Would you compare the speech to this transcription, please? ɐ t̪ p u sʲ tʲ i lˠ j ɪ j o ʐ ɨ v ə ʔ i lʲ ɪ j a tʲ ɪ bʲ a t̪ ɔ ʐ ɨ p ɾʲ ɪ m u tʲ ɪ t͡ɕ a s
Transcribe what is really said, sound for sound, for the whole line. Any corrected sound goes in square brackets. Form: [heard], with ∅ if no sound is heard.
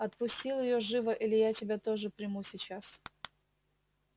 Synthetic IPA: ɐ t̪ p [ʊ] sʲ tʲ i lˠ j ɪ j o ʐ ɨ v ə ʔ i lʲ ɪ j a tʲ ɪ bʲ a t̪ [o] ʐ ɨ p ɾʲ ɪ m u [sʲ] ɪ t͡ɕ a s